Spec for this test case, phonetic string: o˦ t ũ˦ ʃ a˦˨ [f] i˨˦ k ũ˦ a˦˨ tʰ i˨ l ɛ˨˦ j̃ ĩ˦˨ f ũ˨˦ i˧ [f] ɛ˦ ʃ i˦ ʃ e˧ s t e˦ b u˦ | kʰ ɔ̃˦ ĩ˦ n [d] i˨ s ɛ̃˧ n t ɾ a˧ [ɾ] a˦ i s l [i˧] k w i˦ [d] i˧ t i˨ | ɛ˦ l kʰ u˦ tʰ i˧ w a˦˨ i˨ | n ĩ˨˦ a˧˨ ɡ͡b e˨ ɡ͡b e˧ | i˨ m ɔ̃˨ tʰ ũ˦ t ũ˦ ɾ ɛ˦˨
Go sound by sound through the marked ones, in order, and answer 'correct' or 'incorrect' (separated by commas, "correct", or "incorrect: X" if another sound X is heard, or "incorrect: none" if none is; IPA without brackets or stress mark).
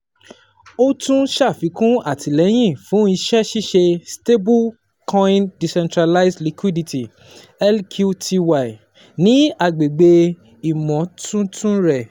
correct, incorrect: ʃ, correct, incorrect: l, correct, correct